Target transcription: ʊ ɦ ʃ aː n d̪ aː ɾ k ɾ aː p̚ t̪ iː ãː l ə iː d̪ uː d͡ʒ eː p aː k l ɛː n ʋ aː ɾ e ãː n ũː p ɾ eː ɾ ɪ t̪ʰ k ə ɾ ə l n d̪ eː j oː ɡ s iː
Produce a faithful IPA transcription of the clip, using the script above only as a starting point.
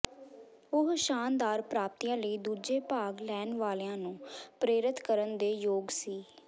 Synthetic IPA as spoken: ʊ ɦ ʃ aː n d̪ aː ɾ p ɾ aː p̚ t̪ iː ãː l ə iː d̪ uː d͡ʒ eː p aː ɡ l ɛː n ʋ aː l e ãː n ũː p ɾ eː ɾ ɪ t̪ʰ k ə ɾ ə n d̪ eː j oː ɡ s iː